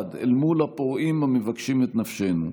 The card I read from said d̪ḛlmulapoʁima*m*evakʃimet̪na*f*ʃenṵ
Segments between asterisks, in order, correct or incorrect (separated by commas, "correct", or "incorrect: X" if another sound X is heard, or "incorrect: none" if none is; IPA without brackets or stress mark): correct, correct